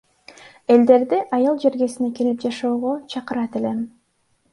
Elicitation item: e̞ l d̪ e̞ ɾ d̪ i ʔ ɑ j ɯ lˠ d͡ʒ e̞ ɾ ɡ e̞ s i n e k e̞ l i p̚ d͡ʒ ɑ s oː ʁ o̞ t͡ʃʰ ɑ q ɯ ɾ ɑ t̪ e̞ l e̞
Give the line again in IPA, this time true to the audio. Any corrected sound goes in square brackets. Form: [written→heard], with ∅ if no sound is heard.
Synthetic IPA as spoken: e̞ l d̪ e̞ ɾ d̪ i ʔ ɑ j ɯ lˠ d͡ʒ e̞ ɾ ɡ e̞ s i n e k e̞ l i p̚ d͡ʒ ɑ [s→ʃ] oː ʁ o̞ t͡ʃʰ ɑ q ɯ ɾ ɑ t̪ e̞ l e̞